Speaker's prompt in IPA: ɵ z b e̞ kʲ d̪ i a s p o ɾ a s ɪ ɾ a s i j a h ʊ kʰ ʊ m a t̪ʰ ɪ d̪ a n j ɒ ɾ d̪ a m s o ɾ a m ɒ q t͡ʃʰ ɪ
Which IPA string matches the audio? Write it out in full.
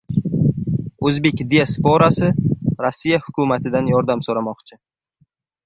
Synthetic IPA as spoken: ɵ z b e̞ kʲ d̪ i a s p o ɾ a s ɪ ɾ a sː i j a h ʊ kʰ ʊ m a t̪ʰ ɪ d̪ a n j ɒ ɾ d̪ a m s o ɾ a m ɒ q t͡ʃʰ ɪ